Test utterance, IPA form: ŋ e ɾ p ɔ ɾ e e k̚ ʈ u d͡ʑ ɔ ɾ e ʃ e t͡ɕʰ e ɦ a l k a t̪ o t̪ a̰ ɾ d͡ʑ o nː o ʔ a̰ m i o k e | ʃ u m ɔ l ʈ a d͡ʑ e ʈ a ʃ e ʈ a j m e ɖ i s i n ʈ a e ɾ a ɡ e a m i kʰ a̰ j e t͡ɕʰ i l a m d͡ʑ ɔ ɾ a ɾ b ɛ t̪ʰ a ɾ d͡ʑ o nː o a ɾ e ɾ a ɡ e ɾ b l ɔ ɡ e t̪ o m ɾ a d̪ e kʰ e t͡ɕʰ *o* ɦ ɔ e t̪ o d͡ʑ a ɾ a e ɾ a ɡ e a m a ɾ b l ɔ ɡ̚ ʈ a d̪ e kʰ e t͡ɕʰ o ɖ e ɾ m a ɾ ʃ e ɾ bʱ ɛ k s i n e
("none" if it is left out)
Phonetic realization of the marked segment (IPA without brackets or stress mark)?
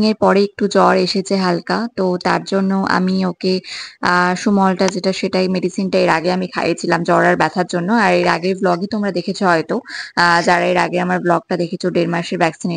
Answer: o